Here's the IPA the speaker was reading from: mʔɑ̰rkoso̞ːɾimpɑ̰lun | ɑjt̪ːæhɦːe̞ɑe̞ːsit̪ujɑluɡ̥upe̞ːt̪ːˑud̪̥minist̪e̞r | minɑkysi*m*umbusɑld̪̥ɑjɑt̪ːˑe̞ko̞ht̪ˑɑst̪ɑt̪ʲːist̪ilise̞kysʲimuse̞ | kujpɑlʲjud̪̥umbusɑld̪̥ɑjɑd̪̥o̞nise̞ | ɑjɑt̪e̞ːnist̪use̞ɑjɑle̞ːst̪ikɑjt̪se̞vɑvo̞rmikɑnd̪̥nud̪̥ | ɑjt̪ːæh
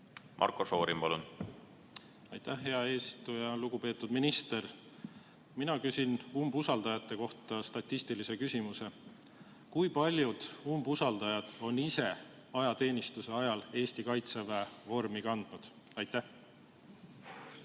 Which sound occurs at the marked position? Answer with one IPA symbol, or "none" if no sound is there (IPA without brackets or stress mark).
n